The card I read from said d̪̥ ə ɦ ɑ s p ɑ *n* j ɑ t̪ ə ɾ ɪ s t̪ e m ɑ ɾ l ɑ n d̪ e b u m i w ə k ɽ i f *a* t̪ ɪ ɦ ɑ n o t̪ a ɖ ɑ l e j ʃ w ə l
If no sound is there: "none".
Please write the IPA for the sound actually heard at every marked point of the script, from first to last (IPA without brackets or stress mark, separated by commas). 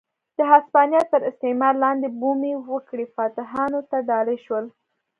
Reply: n, ɑ